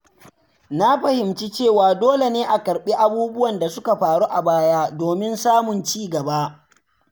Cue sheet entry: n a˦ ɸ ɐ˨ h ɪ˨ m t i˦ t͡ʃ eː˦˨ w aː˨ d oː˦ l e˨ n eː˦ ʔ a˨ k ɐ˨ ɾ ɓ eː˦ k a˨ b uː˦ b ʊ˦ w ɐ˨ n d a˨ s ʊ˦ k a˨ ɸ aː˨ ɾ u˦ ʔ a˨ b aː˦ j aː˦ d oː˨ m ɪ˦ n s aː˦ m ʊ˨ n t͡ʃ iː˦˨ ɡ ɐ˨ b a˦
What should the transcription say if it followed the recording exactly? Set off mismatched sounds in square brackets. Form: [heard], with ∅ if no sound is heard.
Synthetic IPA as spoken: n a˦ ɸ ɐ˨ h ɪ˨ m [t͡ʃ] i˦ t͡ʃ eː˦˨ w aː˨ d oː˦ l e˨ n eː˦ ʔ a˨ k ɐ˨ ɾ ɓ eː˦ [ʔ] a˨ b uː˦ b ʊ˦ w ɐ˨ n d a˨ s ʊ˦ k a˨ ɸ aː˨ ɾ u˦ ʔ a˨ b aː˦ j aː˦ d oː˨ m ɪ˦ n s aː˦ m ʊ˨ n t͡ʃ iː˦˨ ɡ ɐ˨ b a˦